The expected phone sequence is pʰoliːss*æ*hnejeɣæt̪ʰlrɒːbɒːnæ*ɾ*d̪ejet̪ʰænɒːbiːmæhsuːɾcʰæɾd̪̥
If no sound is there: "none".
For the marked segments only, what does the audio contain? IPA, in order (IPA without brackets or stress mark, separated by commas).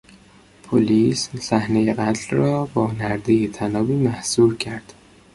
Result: æ, ɾ